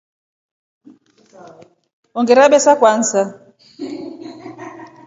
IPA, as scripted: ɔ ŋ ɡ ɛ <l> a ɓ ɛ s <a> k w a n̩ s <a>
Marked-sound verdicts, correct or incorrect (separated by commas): incorrect, correct, correct